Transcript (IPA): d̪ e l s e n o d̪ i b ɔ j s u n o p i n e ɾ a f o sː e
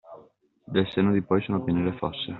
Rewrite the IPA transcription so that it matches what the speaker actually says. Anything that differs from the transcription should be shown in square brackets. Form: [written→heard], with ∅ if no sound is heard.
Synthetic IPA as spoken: d̪ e l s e n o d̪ i [b→p] ɔ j s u n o p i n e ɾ [a→e] f [o→ɔ] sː e